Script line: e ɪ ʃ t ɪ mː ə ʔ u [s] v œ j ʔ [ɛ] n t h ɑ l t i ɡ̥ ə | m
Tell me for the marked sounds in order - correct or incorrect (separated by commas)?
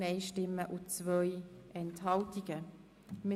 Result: incorrect, correct